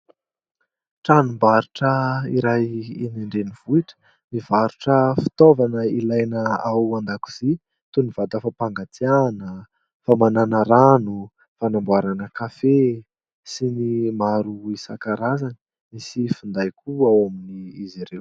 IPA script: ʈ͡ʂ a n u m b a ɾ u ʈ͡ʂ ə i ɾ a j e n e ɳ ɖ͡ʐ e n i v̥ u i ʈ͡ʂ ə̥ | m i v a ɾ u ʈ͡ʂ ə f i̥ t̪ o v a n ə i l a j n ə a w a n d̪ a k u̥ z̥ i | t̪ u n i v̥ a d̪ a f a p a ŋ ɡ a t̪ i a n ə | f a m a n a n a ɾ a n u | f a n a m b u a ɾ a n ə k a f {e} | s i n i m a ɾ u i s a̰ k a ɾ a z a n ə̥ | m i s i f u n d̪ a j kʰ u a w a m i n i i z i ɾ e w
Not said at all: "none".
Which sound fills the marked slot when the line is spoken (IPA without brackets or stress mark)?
e